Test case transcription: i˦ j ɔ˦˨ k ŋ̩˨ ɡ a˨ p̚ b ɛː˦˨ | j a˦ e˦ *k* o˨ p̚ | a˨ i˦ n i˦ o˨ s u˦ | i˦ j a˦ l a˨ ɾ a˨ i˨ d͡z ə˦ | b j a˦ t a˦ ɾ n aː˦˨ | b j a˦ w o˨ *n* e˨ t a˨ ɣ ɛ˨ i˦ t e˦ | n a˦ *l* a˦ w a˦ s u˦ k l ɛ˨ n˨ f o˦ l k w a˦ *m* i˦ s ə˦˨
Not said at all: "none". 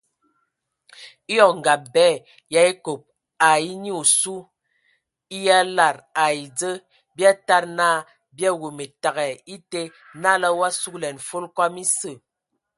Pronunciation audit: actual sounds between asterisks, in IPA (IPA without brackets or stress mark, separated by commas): k, m, l, m